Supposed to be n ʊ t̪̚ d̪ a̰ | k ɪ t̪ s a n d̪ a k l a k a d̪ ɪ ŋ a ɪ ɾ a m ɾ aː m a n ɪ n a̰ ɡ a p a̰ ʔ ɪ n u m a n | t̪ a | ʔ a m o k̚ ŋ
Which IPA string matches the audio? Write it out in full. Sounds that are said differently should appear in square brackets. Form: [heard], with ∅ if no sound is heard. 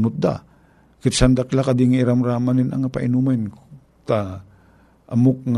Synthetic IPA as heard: n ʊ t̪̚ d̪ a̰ | k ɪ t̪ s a n d̪ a k l a k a d̪ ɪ ŋ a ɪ ɾ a m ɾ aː m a n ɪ n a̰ [ŋ] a p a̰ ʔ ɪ n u m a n | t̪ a | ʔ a m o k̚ ŋ